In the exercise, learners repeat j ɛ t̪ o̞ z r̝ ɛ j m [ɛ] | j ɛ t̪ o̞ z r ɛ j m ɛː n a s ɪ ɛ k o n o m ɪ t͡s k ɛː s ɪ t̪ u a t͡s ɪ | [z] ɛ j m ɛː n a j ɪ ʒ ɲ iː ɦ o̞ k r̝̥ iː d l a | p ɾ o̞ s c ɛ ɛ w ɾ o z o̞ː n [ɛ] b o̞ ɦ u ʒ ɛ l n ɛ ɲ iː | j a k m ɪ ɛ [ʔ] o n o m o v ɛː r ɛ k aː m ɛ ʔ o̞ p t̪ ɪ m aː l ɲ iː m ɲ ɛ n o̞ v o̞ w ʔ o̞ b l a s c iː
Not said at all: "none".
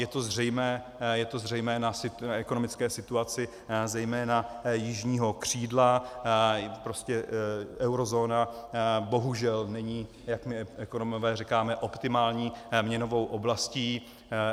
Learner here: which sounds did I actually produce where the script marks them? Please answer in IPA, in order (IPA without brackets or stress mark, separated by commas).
ɛː, z, a, k